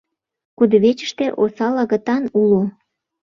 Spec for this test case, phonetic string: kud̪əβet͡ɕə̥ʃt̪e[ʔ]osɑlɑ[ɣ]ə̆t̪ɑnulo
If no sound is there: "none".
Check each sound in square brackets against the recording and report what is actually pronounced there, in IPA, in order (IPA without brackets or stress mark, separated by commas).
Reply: ʔ, ɣ